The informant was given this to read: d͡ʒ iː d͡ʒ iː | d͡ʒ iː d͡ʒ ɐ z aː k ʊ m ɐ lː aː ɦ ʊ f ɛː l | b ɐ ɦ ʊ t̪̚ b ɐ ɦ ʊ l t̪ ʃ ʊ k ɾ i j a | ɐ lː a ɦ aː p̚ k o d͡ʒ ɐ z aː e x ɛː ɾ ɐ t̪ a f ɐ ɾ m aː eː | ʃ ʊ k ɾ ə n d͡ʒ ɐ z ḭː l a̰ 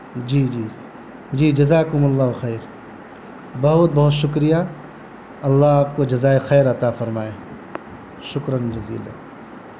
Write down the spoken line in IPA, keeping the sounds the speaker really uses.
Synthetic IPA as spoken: d͡ʒ iː d͡ʒ iː | d͡ʒ iː d͡ʒ ɐ z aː k ʊ m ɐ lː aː ɦ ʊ x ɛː ɾ | b ɐ ɦ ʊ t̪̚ b ɐ ɦ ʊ t̪ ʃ ʊ k ɾ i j a | ɐ lː a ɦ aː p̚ k o d͡ʒ ɐ z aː e x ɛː ɾ ɐ t̪ a f ɐ ɾ m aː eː | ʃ ʊ k ɾ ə n d͡ʒ ɐ z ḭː l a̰

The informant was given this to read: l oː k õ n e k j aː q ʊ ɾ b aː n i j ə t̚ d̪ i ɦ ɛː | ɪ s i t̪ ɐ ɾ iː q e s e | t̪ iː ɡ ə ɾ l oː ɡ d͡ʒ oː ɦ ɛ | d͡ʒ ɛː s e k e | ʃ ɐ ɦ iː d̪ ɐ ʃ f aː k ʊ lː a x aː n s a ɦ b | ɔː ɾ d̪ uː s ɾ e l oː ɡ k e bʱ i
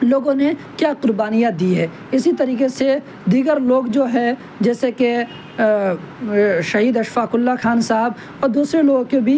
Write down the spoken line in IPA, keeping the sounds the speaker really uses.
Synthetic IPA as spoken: l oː ɡ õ n e k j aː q ʊ ɾ b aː n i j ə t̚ d̪ i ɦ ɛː | ɪ s i t̪ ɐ ɾ iː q e s e | d̪ iː ɡ ə ɾ l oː ɡ d͡ʒ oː ɦ ɛ | d͡ʒ ɛː s e k e | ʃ ɐ ɦ iː d̪ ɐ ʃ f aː k ʊ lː a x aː n s a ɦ b | ɔː ɾ d̪ uː s ɾ e l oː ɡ k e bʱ i

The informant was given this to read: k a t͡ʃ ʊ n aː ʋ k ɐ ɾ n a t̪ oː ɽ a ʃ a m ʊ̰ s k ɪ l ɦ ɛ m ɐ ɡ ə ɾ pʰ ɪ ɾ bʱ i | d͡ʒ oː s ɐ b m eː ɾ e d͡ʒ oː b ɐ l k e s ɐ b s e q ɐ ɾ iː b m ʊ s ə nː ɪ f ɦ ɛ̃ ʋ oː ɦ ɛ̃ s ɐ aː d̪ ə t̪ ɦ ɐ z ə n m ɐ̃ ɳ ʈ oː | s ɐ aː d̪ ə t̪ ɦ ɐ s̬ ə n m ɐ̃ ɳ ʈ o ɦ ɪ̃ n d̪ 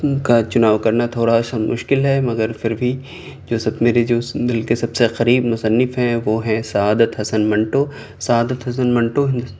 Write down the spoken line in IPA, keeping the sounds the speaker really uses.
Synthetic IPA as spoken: k a t͡ʃ ʊ n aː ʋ k ɐ ɾ n a t̪ʰ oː ɽ a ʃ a m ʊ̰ ʃ k ɪ l ɦ ɛ m ɐ ɡ ə ɾ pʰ ɪ ɾ bʱ i | d͡ʒ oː s ɐ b m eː ɾ e d͡ʒ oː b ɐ l k e s ɐ b s e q ɐ ɾ iː b m ʊ s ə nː ɪ f ɦ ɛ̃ ʋ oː ɦ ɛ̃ s ɐ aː d̪ ə t̪ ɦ ɐ s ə n m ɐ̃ ɳ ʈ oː | s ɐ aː d̪ ə t̪ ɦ ɐ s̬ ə n m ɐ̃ ɳ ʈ o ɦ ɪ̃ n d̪

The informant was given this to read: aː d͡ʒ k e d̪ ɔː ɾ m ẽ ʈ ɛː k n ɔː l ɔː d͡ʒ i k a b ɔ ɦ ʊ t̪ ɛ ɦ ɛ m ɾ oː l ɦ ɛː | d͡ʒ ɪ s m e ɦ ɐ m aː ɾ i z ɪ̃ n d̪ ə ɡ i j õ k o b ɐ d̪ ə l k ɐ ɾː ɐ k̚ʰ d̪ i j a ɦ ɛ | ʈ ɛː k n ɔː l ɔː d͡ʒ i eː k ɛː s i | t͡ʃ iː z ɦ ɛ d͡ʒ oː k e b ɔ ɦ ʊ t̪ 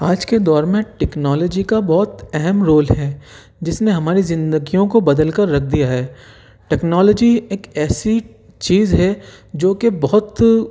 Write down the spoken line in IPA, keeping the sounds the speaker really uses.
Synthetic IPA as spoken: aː d͡ʒ k e d̪ ɔː ɾ m ẽ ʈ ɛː k n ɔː l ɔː d͡ʒ i k a b ɔ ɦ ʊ t̪ ɛ ɦ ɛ m ɾ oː l ɦ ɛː | d͡ʒ ɪ s n e ɦ ɐ m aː ɾ i z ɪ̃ n d̪ ə ɡ i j õ k o b ɐ d̪ ə l k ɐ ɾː ɐ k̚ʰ d̪ i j a ɦ ɛː | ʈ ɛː k n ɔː l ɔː d͡ʒ i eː k ɛː s i | t͡ʃ iː z ɦ ɛ d͡ʒ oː k e b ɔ ɦ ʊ t̪

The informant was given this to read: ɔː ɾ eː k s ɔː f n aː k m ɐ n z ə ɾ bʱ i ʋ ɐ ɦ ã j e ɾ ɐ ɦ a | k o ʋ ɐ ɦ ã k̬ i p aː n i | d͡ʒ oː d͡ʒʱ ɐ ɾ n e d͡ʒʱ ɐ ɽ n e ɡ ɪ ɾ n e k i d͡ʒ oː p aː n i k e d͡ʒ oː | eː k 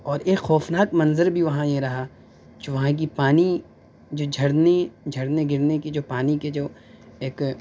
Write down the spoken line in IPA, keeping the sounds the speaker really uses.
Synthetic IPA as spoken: ɔː ɾ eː k x ɔː f n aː k m ɐ n z ə ɾ bʱ i ʋ ɐ ɦ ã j e ɾ ɐ ɦ a | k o ʋ ɐ ɦ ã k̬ i p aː n i | d͡ʒ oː d͡ʒʱ ɐ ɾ n e d͡ʒʱ ɐ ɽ n e ɡ ɪ ɾ n e k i d͡ʒ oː p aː n i k e d͡ʒ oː | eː k

